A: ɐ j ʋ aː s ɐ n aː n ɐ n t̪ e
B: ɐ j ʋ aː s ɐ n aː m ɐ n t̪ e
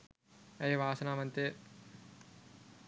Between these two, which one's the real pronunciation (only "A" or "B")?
B